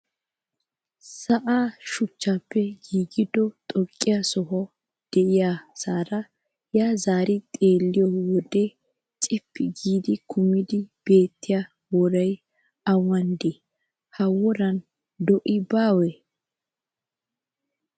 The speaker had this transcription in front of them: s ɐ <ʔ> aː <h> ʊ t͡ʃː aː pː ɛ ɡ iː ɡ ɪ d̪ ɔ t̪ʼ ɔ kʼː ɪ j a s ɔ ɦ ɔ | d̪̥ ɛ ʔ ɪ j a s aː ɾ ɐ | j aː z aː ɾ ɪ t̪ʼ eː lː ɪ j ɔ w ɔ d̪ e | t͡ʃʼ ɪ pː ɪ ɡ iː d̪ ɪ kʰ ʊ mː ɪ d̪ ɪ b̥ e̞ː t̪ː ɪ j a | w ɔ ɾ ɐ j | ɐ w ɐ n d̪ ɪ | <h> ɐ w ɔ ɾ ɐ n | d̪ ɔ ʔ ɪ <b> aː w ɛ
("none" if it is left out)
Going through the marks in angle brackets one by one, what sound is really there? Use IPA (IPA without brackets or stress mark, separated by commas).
ʔ, ʃ, h, b